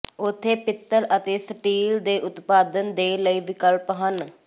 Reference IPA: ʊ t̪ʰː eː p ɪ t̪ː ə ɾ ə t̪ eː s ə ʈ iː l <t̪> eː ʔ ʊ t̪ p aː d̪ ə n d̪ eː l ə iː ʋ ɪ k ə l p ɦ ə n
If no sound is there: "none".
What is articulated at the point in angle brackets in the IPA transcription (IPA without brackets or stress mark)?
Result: d̪